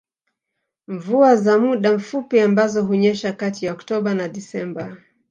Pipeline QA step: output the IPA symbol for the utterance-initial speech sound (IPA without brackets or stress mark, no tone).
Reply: ɱ